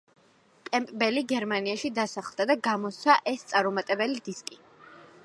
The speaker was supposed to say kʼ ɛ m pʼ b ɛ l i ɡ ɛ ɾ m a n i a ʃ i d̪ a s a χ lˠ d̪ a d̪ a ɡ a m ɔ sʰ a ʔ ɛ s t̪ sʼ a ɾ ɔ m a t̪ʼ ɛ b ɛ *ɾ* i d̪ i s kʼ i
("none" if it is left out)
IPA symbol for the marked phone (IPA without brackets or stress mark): l